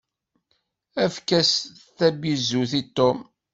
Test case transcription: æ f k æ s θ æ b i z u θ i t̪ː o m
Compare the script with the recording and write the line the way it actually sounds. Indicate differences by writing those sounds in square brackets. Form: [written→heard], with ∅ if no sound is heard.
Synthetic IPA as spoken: æ f k æ s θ æ b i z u θ i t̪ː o m